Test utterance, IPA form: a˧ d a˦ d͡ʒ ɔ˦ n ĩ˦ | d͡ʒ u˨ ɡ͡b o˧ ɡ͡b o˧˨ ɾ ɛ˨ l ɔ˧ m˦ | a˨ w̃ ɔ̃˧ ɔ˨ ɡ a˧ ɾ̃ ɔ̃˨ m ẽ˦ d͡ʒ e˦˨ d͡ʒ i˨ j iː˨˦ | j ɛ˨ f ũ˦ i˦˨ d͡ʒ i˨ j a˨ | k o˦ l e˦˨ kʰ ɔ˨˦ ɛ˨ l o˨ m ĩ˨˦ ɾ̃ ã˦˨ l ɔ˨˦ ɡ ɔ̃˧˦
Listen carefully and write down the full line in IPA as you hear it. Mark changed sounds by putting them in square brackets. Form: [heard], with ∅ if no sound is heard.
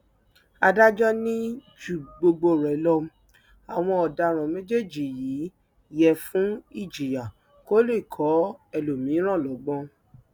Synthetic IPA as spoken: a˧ d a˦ d͡ʒ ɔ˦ n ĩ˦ | d͡ʒ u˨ ɡ͡b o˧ ɡ͡b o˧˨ ɾ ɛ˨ l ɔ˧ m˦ | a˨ w̃ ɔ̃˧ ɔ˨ [d] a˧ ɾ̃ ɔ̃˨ m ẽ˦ d͡ʒ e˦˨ d͡ʒ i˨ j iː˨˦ | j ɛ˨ f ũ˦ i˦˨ d͡ʒ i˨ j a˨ | k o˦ l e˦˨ kʰ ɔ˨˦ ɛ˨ l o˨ m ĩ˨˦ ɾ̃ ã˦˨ l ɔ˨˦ [ɡ͡b] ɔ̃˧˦